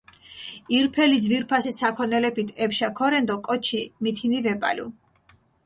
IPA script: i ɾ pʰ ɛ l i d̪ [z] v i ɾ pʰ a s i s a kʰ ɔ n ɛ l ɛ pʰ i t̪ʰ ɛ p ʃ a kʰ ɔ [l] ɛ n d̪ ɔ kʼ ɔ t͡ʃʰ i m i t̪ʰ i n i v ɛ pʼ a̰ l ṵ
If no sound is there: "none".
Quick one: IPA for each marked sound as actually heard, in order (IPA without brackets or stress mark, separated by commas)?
z, ɾ